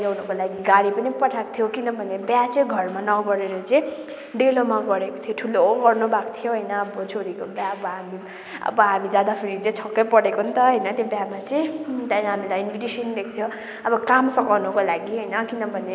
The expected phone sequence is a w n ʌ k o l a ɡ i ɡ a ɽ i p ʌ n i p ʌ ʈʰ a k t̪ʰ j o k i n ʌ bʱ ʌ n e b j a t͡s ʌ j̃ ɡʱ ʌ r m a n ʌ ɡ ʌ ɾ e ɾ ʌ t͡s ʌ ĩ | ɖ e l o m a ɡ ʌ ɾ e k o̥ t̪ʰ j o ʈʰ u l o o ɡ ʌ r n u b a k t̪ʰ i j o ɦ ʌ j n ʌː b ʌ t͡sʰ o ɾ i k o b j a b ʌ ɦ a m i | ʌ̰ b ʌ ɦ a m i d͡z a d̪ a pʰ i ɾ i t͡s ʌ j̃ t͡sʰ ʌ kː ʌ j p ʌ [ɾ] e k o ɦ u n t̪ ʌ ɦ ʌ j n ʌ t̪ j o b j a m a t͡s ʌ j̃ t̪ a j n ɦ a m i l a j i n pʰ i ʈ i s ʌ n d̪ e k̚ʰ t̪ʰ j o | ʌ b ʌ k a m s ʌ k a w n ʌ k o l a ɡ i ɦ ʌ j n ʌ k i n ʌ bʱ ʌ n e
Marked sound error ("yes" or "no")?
yes